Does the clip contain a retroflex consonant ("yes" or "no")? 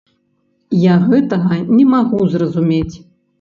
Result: no